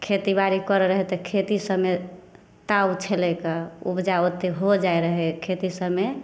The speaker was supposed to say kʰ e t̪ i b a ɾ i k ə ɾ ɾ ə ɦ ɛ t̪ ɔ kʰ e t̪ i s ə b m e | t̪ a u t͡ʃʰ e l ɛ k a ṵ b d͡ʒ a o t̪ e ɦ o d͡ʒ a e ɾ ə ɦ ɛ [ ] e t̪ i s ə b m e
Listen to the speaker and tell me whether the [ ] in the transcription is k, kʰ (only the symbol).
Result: kʰ